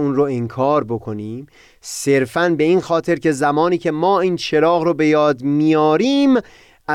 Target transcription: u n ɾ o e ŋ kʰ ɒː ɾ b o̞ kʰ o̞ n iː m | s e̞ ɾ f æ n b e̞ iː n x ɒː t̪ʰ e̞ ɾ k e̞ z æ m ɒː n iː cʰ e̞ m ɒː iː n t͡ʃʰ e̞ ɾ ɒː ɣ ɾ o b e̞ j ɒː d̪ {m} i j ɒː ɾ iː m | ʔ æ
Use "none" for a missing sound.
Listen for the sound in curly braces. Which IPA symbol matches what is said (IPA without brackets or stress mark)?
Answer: m